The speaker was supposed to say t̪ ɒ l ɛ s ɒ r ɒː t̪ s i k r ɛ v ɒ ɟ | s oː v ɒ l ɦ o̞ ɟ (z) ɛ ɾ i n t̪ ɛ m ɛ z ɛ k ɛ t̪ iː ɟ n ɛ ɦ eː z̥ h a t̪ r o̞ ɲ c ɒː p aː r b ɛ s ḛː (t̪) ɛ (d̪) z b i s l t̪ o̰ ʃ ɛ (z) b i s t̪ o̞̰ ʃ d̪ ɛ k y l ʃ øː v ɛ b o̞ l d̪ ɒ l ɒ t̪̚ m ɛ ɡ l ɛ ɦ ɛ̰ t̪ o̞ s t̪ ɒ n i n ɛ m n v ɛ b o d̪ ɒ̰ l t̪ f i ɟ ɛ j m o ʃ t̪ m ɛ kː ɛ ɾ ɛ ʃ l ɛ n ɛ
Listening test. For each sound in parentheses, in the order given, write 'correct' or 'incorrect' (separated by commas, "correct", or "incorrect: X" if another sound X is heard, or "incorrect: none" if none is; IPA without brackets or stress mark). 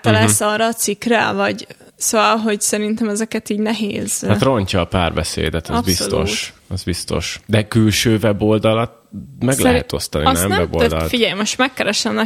incorrect: s, incorrect: d̪, incorrect: t̪, correct